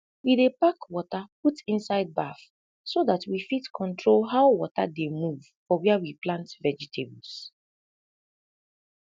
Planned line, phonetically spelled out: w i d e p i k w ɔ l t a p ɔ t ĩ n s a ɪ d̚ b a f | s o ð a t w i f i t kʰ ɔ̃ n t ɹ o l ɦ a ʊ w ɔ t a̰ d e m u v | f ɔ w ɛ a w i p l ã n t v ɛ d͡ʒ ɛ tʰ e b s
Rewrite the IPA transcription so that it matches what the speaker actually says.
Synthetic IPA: w i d e p a k w ɔ t a p u t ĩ n s a ɪ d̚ b a f | s o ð a t w i f i t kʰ ɔ̃ n t ɹ o l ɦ a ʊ w ɔ t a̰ d e m u v | f ɔ w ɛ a w i p l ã n t v ɛ d͡ʒ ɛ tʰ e b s